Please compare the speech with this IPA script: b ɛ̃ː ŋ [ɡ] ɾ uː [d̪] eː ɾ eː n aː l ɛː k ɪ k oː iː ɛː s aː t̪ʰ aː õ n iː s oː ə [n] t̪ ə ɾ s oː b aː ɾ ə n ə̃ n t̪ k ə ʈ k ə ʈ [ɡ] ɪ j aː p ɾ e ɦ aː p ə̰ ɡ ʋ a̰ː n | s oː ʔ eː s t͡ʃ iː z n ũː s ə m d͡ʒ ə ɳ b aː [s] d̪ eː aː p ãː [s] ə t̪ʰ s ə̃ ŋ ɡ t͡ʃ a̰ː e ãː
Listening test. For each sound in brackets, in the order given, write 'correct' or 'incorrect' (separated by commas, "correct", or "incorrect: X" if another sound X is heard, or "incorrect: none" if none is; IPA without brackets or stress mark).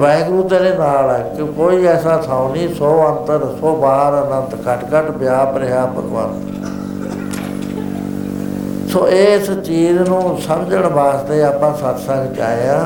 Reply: correct, incorrect: t̪, correct, incorrect: b, correct, correct